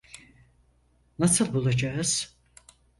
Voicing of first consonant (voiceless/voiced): voiced